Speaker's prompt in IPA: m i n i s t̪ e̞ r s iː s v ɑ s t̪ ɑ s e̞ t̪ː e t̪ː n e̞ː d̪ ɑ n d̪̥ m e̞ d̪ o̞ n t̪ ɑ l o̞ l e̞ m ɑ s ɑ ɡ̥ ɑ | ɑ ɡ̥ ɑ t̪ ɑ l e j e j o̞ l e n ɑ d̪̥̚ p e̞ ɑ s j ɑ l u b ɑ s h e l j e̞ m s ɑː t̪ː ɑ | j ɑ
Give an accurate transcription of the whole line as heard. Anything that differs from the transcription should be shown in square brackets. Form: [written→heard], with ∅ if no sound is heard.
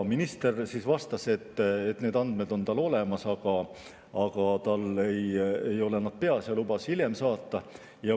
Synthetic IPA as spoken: m i n i s t̪ e̞ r s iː s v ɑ s t̪ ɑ s e̞ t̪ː e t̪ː n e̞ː d̪ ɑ n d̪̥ m e̞ d̪ o̞ n t̪ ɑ l o̞ l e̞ m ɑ s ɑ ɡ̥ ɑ | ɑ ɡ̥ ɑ t̪ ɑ l e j e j o̞ l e n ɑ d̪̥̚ p e̞ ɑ s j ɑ l u b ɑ s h [e→i] l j e̞ m s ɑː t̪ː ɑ | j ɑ

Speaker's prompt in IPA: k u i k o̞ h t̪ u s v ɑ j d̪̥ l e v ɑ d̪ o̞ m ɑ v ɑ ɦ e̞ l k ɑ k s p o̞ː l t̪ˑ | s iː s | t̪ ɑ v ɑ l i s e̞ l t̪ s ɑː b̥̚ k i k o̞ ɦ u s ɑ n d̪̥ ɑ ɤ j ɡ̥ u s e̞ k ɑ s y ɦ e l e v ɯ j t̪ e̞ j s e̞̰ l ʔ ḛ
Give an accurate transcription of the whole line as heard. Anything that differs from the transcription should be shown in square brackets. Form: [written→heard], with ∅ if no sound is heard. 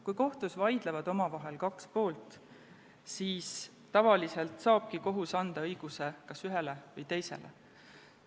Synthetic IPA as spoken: k u [i→j] k o̞ h t̪ u s v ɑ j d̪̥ l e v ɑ d̪ o̞ m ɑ v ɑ ɦ e̞ l k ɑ k s p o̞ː l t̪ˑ | s iː s | t̪ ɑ v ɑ l i s e̞ l t̪ s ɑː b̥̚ k i k o̞ ɦ u s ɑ n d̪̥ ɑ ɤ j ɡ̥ u s e̞ k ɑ s y ɦ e l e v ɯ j t̪ e̞ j s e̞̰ l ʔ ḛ

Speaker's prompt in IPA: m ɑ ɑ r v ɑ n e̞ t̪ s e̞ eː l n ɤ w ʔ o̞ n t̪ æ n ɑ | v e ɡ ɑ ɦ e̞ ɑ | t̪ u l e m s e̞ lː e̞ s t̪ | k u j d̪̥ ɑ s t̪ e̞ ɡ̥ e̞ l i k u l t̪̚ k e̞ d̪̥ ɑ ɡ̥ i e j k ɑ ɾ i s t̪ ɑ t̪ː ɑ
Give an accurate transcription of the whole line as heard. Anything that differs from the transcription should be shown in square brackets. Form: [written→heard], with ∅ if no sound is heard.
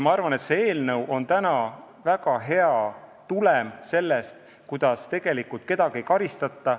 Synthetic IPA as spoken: m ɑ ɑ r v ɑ n e̞ t̪ s e̞ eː l n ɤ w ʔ o̞ n t̪ æ n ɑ | v [e→æ] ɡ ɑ ɦ e̞ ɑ | t̪ u l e m s e̞ lː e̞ s t̪ | k u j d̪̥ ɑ s t̪ e̞ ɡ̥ e̞ l i k u l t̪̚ k e̞ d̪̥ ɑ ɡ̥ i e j k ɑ ɾ i s t̪ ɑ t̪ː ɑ

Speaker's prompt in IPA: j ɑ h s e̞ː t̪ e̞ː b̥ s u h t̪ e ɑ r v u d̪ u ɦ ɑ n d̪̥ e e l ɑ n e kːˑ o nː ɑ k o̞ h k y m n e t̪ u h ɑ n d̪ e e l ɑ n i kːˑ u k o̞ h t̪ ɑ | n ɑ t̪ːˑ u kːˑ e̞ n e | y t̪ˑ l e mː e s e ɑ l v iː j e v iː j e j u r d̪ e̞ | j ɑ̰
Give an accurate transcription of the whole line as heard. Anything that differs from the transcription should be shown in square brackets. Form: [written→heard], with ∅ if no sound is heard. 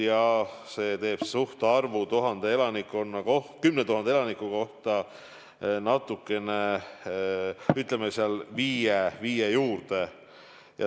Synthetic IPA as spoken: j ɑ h s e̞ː t̪ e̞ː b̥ s u h t̪ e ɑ r v u [d̪→t̪] u ɦ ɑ n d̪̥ e e l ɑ n [e→i] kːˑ o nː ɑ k o̞ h k y m n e t̪ u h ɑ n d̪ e e l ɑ n i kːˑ u k o̞ h t̪ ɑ | n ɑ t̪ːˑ u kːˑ e̞ n e | y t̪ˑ l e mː e s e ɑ l v iː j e v iː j e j [u→uː] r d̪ e̞ | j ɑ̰

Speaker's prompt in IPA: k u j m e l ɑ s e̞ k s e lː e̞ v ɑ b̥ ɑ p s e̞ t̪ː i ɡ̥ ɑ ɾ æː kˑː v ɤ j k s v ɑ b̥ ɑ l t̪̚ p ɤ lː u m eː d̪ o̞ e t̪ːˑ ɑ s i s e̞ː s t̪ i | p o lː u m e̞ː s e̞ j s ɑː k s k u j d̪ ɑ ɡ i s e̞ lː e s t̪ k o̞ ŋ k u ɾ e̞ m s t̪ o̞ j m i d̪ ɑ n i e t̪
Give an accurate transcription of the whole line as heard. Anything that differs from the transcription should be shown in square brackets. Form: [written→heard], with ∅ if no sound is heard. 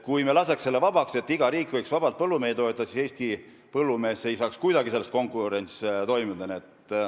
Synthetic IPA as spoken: k u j m e l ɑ s e̞ k s e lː e̞ v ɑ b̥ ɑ [p→k] s e̞ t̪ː i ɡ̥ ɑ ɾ [æː→iː] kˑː v ɤ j k s v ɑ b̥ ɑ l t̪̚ p ɤ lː u m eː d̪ o̞ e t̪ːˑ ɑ s i s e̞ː s t̪ i | p [o→ɤ] lː u m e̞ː s e̞ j s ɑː k s k u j d̪ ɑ ɡ i s e̞ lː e s t̪ k o̞ ŋ k u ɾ e̞ [m→n] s t̪ o̞ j m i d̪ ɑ n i e t̪

